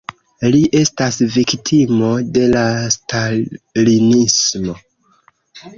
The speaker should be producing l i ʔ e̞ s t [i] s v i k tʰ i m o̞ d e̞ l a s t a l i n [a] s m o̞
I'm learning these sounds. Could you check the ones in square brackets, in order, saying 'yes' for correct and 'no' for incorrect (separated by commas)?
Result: no, no